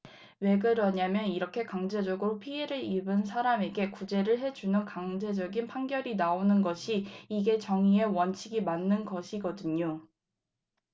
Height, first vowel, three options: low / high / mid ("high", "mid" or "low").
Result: mid